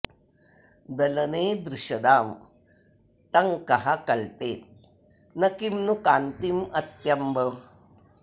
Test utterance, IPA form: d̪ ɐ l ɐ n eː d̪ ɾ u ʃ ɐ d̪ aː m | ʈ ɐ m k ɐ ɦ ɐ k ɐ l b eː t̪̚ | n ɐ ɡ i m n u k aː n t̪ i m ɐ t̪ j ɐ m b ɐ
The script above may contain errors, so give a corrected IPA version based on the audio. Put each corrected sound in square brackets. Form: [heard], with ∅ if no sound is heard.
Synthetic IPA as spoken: d̪ ɐ l ɐ n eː d̪ ɾ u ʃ ɐ d̪ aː m | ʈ ɐ [ŋ] k ɐ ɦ ɐ k ɐ l [p] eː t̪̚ | n ɐ [k] i m n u k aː n t̪ i m ɐ t̪ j ɐ m b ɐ